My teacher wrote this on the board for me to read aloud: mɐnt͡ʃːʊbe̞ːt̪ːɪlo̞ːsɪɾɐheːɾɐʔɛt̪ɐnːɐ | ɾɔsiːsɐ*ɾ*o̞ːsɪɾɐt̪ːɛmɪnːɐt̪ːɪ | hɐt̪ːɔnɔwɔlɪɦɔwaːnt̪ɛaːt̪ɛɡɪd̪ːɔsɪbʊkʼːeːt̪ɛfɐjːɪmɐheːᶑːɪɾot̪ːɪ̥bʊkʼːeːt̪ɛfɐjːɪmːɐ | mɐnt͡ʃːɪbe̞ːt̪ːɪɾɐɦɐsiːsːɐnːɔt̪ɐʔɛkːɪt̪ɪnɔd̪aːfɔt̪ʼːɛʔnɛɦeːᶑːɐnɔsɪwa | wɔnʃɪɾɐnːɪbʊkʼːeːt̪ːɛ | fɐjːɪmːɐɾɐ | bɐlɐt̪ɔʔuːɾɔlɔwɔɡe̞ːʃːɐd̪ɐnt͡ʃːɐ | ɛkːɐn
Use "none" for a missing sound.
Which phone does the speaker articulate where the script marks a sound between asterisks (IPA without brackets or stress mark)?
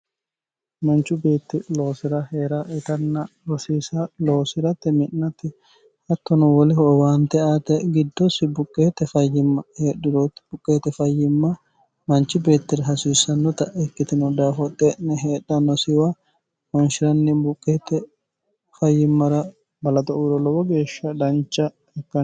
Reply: l